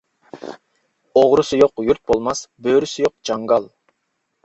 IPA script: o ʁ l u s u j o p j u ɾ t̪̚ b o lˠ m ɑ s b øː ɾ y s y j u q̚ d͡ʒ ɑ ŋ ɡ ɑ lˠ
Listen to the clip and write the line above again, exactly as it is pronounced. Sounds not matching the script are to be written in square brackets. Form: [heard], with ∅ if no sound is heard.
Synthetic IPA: o ʁ [ɾ] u s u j o [q] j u ɾ t̪̚ b o lˠ m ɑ s b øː ɾ y s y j [o] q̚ d͡ʒ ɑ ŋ ɡ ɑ lˠ